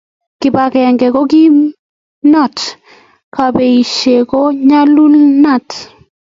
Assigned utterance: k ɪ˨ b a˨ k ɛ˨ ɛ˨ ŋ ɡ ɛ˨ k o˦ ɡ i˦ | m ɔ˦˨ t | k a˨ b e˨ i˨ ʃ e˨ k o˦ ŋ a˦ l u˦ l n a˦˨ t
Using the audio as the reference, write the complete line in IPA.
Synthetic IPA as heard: k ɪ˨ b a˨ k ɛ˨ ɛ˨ ŋ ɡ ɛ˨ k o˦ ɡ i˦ | n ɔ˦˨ t | k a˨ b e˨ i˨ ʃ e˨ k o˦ ɲ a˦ l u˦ l n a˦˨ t